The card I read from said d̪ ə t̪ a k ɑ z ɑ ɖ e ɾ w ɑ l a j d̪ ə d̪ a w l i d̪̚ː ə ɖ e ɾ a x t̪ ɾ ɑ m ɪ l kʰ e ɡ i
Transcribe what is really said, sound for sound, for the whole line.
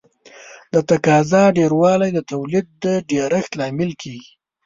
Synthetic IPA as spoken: d̪ ə t̪ a k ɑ z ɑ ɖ e ɾ w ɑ l a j d̪ ə t̪ a w l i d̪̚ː ə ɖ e ɾ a x t̪ l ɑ m ɪ l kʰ e ɡ i